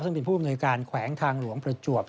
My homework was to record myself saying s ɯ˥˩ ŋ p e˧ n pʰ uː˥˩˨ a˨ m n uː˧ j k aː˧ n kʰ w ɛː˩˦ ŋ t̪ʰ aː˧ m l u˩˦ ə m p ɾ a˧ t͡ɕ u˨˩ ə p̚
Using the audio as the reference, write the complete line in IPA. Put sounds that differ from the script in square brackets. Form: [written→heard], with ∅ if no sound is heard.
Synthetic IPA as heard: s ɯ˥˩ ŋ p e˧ n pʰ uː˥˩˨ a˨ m n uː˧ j k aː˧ n kʰ w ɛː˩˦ ŋ t̪ʰ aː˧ [m→ŋ] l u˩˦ ə [m→ŋ] p ɾ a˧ t͡ɕ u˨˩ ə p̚